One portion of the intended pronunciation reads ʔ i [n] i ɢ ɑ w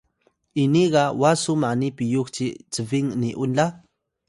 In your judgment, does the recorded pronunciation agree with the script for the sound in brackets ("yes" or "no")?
yes